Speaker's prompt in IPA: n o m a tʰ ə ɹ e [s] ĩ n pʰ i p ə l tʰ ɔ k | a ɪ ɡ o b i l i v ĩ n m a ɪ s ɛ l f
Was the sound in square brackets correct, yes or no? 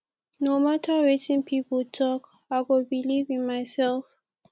no